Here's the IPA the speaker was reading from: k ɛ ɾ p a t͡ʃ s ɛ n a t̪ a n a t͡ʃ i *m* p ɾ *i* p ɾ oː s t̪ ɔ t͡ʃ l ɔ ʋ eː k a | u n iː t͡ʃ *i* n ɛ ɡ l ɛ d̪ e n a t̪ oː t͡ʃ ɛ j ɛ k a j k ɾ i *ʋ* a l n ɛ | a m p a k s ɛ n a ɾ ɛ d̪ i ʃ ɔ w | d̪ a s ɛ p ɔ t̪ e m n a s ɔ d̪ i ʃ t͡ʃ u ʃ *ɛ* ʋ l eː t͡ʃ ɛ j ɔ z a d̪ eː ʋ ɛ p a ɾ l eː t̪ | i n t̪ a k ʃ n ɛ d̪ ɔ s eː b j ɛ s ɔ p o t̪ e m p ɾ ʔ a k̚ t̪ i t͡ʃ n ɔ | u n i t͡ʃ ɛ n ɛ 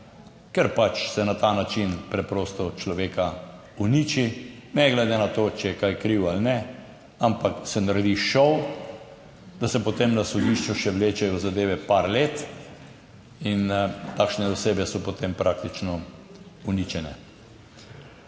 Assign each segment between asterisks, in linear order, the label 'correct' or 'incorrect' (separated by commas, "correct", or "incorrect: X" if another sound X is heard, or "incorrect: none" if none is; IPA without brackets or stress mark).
incorrect: n, incorrect: ɛ, correct, incorrect: w, correct